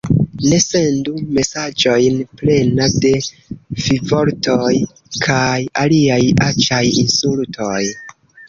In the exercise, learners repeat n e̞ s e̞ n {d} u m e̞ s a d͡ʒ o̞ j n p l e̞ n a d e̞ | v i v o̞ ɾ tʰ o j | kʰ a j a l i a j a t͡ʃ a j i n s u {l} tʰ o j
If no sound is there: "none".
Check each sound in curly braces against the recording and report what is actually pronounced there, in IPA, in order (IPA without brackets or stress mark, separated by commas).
d, l